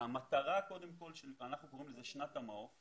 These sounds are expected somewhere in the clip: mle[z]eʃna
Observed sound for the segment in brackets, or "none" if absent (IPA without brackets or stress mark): z